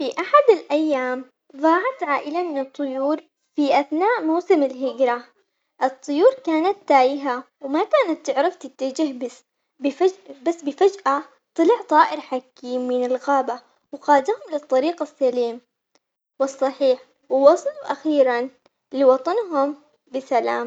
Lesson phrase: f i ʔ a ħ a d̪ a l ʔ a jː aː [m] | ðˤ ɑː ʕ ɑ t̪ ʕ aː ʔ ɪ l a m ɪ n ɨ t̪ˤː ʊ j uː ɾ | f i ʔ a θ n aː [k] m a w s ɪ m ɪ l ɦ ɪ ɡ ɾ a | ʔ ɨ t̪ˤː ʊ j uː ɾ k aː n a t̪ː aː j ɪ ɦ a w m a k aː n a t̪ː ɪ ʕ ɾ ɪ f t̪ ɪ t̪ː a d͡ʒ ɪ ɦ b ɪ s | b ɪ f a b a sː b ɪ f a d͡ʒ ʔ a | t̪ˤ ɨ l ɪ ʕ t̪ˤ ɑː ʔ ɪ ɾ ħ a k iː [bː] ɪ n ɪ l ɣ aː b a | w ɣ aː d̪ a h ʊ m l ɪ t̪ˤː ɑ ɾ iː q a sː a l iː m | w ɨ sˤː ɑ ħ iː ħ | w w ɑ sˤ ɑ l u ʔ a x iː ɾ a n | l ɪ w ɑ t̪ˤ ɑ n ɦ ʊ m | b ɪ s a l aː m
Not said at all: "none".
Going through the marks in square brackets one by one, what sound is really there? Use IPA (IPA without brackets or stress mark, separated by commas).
m, ʔ, mː